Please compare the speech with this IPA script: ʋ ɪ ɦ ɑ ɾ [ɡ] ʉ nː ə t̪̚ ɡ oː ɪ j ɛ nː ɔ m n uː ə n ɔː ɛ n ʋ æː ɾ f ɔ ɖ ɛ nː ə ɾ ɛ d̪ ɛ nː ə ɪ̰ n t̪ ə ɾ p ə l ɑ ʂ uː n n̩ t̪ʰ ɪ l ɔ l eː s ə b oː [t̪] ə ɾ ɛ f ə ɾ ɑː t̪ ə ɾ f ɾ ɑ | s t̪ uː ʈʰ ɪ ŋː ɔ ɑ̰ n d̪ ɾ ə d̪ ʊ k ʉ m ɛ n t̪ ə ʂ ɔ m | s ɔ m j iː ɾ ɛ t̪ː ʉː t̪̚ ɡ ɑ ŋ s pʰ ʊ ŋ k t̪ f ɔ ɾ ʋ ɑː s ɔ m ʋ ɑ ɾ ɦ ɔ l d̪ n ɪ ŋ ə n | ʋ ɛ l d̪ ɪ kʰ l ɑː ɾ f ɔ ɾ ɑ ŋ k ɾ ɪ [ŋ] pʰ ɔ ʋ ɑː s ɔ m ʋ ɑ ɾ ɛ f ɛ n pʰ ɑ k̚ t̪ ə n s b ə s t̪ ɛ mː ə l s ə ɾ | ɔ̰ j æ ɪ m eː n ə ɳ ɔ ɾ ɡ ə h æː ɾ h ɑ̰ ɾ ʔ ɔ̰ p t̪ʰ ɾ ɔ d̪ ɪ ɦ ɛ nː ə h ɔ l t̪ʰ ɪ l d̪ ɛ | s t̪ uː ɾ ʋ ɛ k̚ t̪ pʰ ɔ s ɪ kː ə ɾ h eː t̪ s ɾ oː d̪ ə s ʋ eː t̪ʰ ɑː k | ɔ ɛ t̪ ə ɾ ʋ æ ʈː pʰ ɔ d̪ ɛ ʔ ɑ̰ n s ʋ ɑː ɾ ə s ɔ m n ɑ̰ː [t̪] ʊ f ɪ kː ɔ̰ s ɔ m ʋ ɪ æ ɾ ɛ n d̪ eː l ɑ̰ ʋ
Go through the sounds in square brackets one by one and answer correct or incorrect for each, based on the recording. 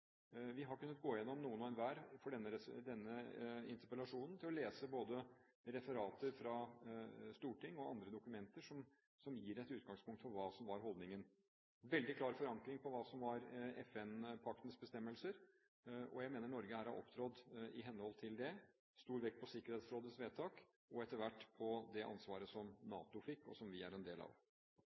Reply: incorrect: k, incorrect: d̪, correct, correct

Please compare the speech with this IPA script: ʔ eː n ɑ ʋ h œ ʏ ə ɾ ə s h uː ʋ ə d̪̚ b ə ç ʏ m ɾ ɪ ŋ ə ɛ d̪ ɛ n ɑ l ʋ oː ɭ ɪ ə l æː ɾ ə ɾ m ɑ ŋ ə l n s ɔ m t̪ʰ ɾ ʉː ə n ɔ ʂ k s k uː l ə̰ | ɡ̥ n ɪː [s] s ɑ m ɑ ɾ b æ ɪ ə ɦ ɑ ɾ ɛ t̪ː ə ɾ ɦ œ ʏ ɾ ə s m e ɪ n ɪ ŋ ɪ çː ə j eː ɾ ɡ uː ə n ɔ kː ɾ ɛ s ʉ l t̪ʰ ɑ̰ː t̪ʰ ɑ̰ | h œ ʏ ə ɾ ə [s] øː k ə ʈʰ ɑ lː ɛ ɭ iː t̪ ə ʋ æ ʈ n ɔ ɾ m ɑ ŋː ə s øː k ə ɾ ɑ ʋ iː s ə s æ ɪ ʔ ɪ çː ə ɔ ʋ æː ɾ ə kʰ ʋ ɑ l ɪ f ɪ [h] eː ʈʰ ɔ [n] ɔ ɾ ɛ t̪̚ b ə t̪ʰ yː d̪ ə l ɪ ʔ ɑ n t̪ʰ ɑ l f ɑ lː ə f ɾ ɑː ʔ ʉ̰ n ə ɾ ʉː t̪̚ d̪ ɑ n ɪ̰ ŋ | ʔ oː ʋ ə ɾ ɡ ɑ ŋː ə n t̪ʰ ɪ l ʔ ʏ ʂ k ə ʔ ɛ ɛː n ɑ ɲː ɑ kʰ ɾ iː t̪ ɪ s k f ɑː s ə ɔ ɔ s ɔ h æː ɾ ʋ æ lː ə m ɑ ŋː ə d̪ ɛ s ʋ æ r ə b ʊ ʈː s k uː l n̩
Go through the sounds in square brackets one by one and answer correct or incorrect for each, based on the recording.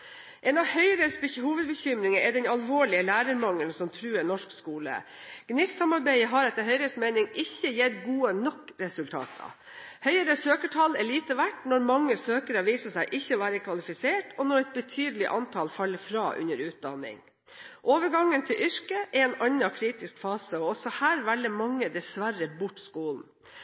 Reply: correct, correct, incorrect: s, correct

